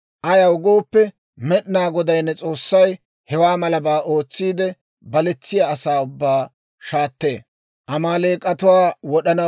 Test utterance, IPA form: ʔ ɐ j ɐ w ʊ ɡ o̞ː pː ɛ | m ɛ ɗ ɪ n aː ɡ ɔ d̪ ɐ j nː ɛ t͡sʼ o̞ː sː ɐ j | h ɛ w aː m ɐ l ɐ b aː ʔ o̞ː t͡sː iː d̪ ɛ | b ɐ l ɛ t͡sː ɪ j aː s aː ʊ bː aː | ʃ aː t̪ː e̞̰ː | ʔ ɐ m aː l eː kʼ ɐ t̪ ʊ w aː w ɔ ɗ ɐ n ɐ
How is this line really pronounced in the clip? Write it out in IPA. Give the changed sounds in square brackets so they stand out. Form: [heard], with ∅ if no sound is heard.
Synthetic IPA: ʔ ɐ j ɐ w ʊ ɡ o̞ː pː ɛ | m ɛ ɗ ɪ n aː ɡ ɔ d̪ ɐ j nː ɛ t͡sʼ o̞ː sː ɐ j | h ɛ w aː m ɐ l ɐ b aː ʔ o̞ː t͡sː iː d̪ ɛ | b ɐ l ɛ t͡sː ɪ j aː s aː ʊ bː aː | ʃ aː t̪ː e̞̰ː | ʔ ɐ m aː l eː kʼ ɐ t̪ ʊ w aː w ɔ ɗ ɐ n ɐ